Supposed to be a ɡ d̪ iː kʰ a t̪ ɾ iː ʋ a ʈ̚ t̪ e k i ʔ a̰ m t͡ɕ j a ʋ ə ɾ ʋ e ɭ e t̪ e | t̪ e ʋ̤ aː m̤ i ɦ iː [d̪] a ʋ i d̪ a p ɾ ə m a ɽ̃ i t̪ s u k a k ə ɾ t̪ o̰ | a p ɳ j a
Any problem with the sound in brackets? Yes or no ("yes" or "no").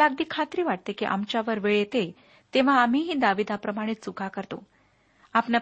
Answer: no